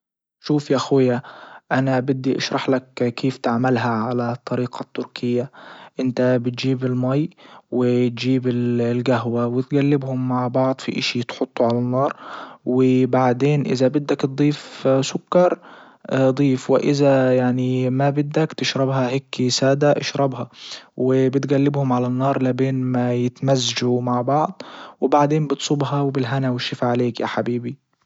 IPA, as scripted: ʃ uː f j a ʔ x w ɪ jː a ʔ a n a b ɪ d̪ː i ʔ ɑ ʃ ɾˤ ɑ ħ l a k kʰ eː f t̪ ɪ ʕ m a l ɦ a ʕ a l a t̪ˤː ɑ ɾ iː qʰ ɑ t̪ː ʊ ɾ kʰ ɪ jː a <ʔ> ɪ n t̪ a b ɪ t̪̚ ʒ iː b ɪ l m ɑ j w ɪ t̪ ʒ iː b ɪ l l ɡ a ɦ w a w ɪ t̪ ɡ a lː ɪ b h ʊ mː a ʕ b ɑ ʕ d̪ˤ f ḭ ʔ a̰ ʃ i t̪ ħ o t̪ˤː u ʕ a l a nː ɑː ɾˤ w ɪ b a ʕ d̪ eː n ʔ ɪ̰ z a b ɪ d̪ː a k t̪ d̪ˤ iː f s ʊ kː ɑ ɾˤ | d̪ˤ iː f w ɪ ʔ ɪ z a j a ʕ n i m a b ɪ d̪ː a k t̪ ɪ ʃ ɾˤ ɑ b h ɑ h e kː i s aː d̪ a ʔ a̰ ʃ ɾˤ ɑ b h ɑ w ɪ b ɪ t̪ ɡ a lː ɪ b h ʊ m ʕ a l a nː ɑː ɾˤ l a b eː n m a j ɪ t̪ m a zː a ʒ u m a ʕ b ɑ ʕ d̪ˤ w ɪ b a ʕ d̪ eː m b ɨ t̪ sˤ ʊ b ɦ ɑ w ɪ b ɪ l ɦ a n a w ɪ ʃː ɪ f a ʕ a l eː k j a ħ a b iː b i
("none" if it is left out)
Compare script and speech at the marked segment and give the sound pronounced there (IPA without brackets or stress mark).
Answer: ʔ